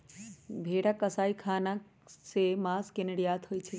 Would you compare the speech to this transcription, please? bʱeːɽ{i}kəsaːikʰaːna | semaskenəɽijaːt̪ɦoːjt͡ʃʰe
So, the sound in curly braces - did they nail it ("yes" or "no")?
no